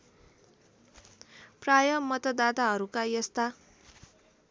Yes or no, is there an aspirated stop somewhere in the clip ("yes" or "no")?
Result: no